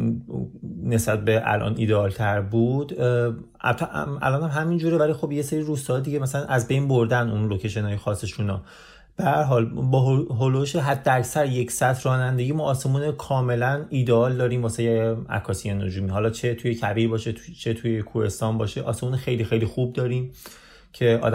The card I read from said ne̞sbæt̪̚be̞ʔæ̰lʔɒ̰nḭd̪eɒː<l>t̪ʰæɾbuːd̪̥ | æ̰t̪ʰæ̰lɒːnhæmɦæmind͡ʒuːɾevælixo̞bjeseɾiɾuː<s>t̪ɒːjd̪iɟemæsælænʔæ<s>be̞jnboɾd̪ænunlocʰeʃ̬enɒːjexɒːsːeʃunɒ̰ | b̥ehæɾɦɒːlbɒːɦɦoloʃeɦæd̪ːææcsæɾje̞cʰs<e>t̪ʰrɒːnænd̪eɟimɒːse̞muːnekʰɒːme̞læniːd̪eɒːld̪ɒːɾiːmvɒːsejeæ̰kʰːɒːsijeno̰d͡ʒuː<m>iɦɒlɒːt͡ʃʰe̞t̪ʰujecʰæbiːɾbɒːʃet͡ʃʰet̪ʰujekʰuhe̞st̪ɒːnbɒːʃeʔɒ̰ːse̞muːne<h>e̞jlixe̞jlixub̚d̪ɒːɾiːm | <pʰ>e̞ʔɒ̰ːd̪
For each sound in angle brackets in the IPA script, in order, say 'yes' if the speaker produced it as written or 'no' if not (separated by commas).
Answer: yes, yes, no, no, yes, no, no